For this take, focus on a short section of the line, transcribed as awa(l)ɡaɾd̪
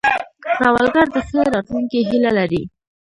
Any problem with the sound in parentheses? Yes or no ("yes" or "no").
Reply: no